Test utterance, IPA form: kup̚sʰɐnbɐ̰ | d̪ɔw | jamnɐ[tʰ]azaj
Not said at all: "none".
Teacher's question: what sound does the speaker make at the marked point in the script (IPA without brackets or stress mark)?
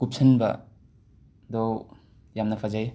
pʰ